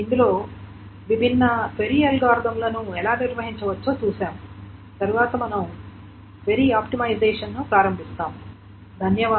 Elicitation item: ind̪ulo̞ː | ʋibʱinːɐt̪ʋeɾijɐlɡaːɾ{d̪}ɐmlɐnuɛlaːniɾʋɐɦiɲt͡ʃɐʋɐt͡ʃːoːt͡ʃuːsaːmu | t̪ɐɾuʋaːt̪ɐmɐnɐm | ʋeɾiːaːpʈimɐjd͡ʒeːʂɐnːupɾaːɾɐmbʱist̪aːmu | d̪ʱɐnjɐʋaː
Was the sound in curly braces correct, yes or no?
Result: yes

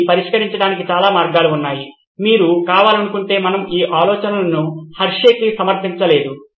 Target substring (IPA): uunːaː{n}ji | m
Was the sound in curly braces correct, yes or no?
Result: no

